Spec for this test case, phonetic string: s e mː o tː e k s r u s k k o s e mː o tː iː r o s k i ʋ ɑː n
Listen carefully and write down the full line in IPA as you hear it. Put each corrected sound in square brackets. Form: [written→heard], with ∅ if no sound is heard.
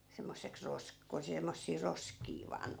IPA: s e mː o [tː→sː] e k s r [u→o] s k k o s e mː o [tː→sː] iː r o s k [i→iː] ʋ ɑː n